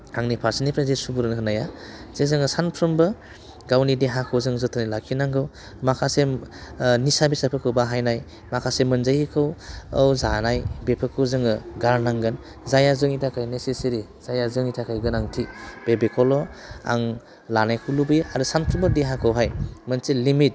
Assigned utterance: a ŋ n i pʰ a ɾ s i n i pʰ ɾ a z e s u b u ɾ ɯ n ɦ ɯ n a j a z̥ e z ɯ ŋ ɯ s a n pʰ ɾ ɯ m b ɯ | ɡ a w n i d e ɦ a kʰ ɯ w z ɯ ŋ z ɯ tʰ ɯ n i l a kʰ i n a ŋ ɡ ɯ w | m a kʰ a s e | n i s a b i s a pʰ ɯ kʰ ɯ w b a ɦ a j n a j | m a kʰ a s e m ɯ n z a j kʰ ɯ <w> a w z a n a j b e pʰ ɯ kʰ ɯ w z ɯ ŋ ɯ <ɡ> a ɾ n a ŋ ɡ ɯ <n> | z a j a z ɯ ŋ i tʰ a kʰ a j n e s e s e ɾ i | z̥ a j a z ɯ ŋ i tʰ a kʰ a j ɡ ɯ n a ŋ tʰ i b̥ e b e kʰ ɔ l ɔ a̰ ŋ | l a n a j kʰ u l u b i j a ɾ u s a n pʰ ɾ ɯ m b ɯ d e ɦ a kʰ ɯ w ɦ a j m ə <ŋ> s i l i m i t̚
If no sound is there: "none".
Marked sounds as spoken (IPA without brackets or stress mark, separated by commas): w, ɡ, n, n